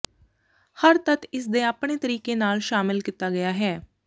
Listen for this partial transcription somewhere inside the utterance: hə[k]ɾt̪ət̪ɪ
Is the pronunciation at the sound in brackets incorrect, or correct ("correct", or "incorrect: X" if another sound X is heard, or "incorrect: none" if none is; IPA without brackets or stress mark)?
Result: incorrect: none